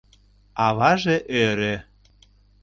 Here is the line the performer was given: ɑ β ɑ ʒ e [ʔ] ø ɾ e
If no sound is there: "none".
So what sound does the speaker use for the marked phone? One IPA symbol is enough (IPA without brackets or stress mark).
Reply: ʔ